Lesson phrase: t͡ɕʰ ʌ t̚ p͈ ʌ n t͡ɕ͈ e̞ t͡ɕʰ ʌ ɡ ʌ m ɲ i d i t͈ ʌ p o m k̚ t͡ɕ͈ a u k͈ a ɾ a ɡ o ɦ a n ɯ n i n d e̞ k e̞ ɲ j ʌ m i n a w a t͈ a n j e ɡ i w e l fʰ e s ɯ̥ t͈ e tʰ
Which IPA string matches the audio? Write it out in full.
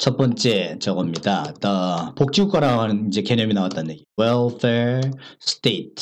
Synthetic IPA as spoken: t͡ɕʰ ʌ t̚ p͈ ʌ n t͡ɕ͈ e̞ t͡ɕ ʌ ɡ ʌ m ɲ i d a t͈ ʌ p o k̚ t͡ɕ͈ i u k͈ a ɾ a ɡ o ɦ a n ɯ n i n d͡ʑ e̞ k e̞ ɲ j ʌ m i n a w a t͈ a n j e ɡ i w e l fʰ e s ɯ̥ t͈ e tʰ